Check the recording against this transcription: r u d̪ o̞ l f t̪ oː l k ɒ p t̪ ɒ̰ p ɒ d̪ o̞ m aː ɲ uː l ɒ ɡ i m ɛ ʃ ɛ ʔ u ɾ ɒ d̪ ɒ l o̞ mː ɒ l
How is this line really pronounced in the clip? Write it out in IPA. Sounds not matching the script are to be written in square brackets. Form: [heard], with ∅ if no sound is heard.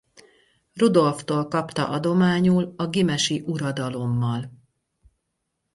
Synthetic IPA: r u d̪ o̞ l f t̪ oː l k ɒ p t̪ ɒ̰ [ʔ] ɒ d̪ o̞ m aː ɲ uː l ɒ ɡ i m ɛ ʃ [i] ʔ u ɾ ɒ d̪ ɒ l o̞ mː ɒ l